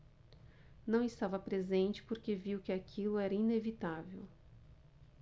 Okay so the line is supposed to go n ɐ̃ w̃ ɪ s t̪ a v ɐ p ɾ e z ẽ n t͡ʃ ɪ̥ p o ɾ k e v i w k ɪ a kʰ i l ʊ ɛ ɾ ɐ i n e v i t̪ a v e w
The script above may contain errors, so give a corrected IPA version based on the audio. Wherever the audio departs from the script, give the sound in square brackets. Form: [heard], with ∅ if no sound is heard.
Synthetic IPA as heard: n ɐ̃ w̃ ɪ s t̪ a v ɐ p ɾ e z ẽ n t͡ʃ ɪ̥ p o ɾ k e v i w k ɪ a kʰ i l ʊ ɛ ɾ ɐ i n e v i t̪ a v e w